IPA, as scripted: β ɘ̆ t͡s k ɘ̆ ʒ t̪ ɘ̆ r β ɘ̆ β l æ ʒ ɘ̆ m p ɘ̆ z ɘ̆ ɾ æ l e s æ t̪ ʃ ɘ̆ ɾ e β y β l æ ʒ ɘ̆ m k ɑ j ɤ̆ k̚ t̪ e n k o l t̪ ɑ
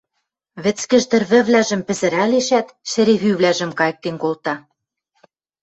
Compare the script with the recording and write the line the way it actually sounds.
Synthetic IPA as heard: β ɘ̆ t͡s k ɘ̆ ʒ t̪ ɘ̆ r β ɘ̆ β l æ ʒ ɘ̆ m p ɘ̆ z ɘ̆ ɾ æ l e ʃ æ t̪ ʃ ɘ̆ ɾ e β y β l æ ʒ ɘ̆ m k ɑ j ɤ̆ k̚ t̪ e n k o l t̪ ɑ